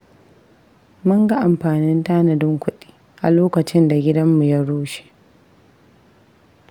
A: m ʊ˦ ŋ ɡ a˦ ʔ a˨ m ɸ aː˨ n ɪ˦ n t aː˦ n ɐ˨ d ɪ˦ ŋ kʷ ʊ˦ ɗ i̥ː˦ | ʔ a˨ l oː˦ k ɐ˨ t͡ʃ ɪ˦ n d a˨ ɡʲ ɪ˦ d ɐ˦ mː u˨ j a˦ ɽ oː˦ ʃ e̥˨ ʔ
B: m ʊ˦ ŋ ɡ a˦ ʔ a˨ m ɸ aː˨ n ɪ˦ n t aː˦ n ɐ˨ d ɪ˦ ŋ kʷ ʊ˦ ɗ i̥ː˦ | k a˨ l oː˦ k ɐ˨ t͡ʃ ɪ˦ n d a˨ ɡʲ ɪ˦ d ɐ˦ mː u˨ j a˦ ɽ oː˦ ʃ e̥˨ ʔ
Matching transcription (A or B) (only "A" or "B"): A